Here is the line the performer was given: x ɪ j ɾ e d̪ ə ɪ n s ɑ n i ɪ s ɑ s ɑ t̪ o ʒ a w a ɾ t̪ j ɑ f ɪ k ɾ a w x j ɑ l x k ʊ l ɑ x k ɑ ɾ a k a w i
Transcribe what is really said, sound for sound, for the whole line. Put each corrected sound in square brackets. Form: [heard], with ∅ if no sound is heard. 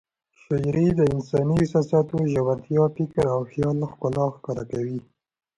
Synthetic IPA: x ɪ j ɾ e d̪ ə ɪ n s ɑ n i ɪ s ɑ s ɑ t̪ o ʒ a w a ɾ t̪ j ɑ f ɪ k ɾ a w x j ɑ l x k ʊ l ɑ x k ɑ ɾ a k a w i